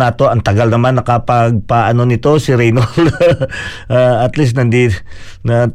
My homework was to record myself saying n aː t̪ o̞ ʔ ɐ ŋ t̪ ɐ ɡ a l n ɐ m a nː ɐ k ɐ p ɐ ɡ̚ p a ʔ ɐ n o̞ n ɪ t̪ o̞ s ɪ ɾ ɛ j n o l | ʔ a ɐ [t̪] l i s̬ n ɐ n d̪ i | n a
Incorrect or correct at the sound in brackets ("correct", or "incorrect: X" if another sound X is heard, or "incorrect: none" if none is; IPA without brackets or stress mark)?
correct